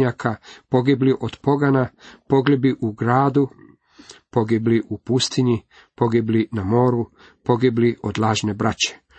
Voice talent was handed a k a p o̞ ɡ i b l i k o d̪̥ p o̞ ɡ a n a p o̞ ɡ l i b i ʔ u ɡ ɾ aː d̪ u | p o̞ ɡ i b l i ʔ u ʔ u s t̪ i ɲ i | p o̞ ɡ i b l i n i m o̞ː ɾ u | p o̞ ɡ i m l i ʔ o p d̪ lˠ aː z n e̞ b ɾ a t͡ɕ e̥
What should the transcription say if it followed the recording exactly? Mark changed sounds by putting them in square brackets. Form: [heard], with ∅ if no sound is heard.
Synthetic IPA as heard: a k a p o̞ ɡ i b l i [ʔ] o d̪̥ p o̞ ɡ a n a p o̞ ɡ l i b i ʔ u ɡ ɾ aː d̪ u | p o̞ ɡ i b l i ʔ u [p] u s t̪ i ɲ i | p o̞ ɡ i b l i n [a] m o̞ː ɾ u | p o̞ ɡ i [b] l i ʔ o [∅] d̪ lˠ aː [ʒ] n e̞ b ɾ a t͡ɕ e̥